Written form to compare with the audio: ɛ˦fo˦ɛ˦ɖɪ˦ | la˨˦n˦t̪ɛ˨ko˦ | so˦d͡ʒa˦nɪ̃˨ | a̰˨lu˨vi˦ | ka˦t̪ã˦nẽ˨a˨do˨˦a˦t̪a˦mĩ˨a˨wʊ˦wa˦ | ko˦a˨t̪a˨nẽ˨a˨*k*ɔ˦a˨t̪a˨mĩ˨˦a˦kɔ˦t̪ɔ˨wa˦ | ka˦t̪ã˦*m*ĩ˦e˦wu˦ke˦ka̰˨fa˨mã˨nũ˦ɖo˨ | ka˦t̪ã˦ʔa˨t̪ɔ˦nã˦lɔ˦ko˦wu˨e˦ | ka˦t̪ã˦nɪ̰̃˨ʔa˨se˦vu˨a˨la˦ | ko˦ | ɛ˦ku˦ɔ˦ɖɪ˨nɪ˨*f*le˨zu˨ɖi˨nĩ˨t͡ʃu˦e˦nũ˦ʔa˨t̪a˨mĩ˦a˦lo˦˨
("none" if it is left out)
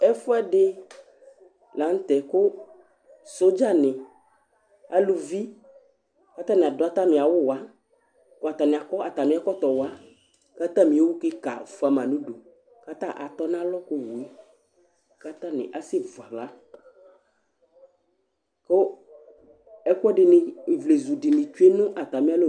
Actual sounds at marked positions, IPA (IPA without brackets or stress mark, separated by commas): k, m, v